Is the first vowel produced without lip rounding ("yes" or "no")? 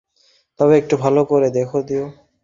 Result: no